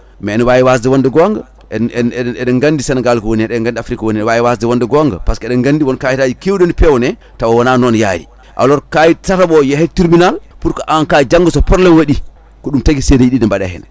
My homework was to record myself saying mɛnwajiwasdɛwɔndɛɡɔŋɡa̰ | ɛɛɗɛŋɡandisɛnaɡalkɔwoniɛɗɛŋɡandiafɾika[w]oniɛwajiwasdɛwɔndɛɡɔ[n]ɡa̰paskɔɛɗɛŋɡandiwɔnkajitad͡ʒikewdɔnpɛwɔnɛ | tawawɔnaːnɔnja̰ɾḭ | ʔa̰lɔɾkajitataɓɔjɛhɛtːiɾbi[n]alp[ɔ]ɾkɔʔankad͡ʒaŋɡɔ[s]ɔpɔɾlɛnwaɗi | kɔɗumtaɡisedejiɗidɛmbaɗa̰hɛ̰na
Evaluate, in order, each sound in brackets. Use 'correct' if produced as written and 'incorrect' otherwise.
correct, incorrect, correct, incorrect, correct

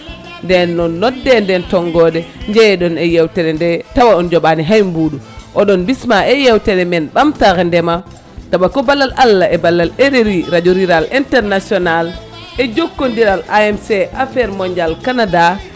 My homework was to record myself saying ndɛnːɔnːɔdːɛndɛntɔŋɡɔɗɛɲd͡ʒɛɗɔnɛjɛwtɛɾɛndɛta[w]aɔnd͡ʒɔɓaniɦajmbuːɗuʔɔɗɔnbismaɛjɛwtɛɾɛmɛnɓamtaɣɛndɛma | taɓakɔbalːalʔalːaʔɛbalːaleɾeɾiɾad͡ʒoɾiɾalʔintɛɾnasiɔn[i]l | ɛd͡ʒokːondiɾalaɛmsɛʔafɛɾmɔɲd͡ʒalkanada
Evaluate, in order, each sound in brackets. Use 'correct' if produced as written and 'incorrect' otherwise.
correct, incorrect

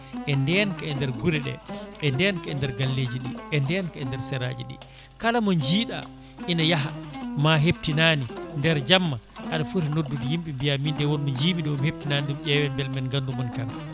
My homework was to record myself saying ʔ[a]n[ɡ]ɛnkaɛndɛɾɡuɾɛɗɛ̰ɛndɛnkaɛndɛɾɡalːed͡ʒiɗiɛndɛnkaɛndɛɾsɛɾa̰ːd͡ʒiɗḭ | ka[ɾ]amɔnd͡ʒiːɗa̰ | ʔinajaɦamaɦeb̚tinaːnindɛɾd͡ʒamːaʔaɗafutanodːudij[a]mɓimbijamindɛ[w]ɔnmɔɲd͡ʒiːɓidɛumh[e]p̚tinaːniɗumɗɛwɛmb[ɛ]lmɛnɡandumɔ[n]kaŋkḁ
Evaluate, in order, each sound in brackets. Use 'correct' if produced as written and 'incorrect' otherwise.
incorrect, incorrect, incorrect, incorrect, correct, correct, correct, correct

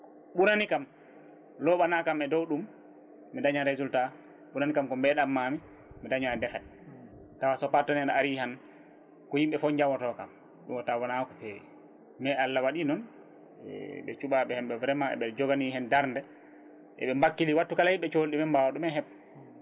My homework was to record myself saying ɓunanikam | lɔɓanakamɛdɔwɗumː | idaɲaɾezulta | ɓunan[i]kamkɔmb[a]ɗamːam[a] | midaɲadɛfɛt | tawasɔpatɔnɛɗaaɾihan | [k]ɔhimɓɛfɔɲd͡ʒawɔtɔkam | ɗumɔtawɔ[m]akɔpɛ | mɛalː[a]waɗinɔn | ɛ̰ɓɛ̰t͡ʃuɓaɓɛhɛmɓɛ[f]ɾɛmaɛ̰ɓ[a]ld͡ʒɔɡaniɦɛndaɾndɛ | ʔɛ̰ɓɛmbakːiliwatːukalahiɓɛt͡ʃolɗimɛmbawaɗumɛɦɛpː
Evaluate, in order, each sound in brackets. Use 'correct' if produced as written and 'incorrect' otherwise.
correct, incorrect, incorrect, correct, incorrect, correct, incorrect, incorrect

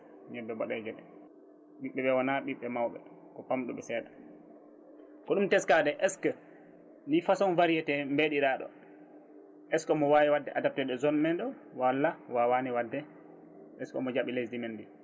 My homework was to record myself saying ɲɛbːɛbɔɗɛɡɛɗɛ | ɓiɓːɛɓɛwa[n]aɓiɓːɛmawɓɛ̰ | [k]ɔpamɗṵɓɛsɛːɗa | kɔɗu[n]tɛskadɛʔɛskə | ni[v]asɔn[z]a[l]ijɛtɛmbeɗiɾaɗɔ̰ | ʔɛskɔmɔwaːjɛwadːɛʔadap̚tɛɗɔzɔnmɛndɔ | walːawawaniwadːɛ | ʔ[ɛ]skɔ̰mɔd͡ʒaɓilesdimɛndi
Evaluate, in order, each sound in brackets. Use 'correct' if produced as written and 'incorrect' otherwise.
correct, correct, incorrect, incorrect, incorrect, incorrect, correct

